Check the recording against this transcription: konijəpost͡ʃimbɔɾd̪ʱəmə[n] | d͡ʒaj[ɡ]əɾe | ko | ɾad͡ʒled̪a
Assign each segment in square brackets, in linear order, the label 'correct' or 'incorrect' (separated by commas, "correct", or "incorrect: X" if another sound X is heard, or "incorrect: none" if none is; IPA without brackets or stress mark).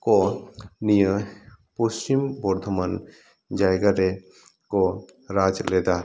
correct, correct